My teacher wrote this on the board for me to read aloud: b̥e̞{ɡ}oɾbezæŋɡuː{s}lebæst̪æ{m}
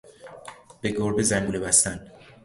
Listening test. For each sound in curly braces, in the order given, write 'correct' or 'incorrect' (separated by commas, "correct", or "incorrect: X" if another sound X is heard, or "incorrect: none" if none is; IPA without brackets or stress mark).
correct, incorrect: none, incorrect: n